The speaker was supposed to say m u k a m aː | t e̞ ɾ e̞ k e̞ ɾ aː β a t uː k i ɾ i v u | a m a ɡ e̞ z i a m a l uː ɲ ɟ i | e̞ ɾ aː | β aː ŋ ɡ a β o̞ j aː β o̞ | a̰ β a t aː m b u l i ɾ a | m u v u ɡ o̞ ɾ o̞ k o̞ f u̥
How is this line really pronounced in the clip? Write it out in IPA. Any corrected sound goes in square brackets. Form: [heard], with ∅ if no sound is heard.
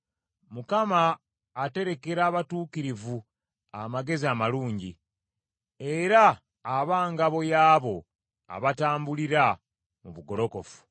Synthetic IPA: m u k a m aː | t e̞ ɾ e̞ k e̞ ɾ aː β a t uː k i ɾ i v u | a m a ɡ e̞ z i a m a l uː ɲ ɟ i | e̞ ɾ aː | β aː ŋ ɡ a β o̞ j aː β o̞ | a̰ β a t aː m b u l i ɾ a | m u [β] u ɡ o̞ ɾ o̞ k o̞ f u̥